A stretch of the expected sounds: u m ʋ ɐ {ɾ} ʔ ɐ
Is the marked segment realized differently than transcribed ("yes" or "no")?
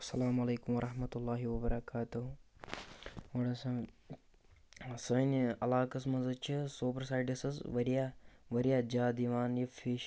no